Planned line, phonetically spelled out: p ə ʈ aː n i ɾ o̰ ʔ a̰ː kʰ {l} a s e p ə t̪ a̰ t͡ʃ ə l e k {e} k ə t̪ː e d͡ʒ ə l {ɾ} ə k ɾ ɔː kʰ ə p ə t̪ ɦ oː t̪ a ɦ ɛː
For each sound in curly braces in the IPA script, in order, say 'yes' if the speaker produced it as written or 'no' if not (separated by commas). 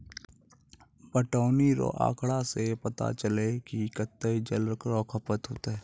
no, no, yes